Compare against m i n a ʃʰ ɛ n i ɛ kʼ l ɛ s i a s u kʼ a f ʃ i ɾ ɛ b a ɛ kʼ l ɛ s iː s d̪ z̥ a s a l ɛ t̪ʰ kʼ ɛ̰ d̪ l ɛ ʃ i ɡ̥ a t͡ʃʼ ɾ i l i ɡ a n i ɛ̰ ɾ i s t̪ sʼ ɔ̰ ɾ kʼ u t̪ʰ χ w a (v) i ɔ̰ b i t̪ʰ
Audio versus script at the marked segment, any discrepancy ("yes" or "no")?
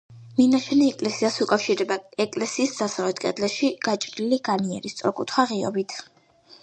yes